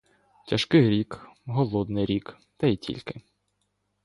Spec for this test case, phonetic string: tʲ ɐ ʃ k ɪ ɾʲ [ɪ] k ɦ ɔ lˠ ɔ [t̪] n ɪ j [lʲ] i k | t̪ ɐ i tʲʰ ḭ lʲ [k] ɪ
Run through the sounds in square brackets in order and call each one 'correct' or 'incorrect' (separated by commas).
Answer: incorrect, incorrect, incorrect, correct